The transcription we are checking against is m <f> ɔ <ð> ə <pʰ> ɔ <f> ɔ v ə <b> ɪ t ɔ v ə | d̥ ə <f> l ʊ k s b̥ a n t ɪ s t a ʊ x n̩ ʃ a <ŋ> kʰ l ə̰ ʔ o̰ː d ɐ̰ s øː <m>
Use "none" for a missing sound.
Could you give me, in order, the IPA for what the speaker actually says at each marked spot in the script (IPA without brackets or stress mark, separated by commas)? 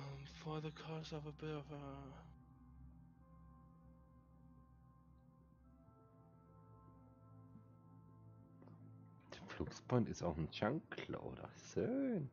f, ð, kʰ, s, b, f, ŋ, n